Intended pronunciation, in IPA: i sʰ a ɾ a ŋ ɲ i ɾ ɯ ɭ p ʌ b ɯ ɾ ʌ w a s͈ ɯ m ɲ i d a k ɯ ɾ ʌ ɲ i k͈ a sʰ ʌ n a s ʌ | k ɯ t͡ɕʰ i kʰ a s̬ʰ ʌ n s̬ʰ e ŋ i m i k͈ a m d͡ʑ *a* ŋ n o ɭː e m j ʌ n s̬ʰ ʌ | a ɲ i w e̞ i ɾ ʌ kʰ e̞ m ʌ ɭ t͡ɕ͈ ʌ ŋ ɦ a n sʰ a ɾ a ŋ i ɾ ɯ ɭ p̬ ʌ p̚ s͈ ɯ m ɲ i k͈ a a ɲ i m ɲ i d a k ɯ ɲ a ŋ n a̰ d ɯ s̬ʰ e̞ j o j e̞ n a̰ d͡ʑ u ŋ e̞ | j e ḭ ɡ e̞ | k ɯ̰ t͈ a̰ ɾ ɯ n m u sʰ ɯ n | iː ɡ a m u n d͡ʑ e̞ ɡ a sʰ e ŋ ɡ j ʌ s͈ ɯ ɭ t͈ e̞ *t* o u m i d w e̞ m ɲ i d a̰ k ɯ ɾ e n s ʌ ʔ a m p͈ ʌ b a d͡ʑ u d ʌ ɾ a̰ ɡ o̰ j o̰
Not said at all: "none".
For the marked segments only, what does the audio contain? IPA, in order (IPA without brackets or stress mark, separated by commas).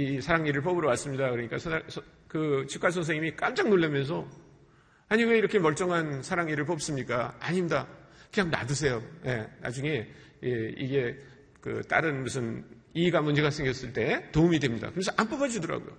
a, t